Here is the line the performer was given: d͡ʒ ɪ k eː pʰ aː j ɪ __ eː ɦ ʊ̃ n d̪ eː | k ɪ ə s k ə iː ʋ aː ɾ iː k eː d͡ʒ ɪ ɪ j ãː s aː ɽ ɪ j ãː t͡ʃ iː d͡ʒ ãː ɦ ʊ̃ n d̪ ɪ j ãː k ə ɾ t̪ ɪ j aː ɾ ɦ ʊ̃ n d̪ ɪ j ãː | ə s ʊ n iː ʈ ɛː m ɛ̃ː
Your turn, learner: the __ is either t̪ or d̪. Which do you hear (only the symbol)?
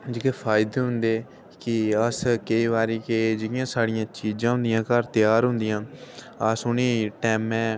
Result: d̪